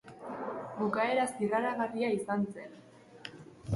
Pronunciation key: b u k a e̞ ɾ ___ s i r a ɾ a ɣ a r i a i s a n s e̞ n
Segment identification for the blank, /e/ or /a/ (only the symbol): a